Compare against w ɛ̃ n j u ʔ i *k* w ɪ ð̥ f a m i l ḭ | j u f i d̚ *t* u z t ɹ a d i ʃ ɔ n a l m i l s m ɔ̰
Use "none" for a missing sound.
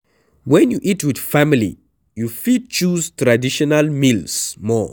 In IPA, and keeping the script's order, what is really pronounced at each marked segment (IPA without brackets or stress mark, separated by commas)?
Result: t, t͡ʃ